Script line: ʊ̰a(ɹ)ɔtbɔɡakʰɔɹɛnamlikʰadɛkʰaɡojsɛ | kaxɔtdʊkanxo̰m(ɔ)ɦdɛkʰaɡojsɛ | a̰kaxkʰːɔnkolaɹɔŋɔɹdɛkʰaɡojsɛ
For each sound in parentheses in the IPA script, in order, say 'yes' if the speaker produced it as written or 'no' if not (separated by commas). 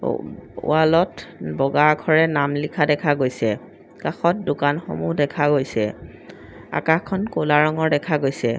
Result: no, no